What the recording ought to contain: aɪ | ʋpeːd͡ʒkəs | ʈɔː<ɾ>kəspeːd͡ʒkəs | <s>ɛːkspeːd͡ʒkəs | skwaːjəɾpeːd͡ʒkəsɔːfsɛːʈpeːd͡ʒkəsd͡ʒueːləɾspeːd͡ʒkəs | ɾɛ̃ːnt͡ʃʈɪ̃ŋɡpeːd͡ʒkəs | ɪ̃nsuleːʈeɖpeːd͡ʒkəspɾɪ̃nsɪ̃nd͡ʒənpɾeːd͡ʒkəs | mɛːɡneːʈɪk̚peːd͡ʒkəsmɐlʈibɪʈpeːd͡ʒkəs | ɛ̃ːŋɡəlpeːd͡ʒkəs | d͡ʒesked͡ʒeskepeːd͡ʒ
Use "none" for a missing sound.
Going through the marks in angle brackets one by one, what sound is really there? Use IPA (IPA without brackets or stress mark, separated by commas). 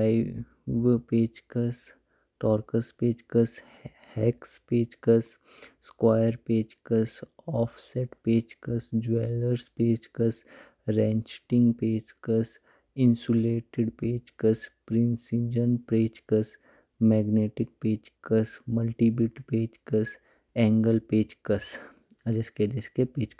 ɾ, h